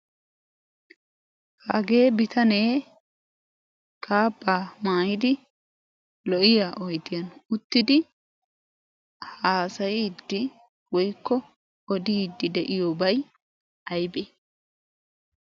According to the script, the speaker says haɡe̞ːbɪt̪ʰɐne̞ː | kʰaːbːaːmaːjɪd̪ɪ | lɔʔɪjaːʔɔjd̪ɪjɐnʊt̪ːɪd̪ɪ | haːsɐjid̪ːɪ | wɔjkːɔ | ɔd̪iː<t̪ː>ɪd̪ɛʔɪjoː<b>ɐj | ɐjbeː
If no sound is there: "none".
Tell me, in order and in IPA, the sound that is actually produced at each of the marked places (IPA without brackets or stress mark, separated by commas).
d̪ː, b